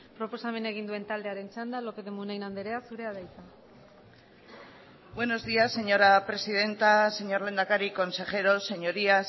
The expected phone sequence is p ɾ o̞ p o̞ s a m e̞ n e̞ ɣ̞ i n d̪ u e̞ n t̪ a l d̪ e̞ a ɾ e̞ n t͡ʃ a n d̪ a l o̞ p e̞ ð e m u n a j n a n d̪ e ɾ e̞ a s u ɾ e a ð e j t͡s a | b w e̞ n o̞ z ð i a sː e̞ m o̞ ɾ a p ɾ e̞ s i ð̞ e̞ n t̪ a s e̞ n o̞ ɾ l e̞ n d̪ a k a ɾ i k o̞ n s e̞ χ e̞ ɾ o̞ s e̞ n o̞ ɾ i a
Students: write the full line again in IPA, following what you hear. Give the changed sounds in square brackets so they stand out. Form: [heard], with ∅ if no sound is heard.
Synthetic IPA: p ɾ o̞ p o̞ s a m e̞ n e̞ ɣ̞ i n d̪ u e̞ n t̪ a l d̪ e̞ a ɾ e̞ n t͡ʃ a n d̪ a l o̞ p e̞ ð e m u n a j n a n d̪ e ɾ e̞ a s u ɾ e a ð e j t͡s a | b w e̞ n o̞ z ð i a sː e̞ [ɲ] o̞ ɾ a p ɾ e̞ s i ð̞ e̞ n t̪ a s e̞ [ɲ] o̞ ɾ l e̞ n d̪ a k a ɾ i k o̞ n s e̞ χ e̞ ɾ o̞ s e̞ [ɲ] o̞ ɾ i a